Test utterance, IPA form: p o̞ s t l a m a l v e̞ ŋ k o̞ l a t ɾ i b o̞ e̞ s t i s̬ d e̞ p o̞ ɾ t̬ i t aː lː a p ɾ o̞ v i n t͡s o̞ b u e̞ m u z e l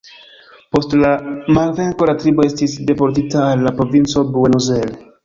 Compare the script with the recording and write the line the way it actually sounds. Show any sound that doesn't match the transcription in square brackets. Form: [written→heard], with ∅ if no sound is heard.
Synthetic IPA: p o̞ s t l a m a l v e̞ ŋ k o̞ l a t ɾ i b o̞ e̞ s t i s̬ d e̞ p o̞ ɾ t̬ i t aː lː a p ɾ o̞ v i n t͡s o̞ b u e̞ [m→n] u z e l